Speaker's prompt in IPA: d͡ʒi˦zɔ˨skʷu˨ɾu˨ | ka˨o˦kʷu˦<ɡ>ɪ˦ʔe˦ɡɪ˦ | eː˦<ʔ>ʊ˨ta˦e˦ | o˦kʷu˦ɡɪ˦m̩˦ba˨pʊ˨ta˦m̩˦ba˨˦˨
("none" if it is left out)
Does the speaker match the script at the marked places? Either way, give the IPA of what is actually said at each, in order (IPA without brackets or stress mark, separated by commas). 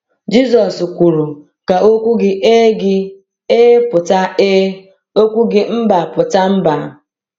ɡ, p